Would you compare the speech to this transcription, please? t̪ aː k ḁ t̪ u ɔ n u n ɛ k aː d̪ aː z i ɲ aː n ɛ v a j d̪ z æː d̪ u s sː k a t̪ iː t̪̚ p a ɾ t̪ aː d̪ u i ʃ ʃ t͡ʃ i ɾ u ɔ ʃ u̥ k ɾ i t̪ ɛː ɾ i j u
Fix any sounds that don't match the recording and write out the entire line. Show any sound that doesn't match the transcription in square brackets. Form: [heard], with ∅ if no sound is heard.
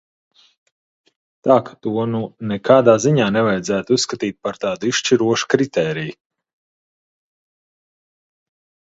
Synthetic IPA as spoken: t̪ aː k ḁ t̪ u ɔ n u n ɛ k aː d̪ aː z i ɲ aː n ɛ v a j d̪ z æː [t̪] u s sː k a t̪ iː t̪̚ p a ɾ t̪ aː d̪ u i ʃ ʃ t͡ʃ i ɾ u ɔ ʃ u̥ k ɾ i t̪ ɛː ɾ i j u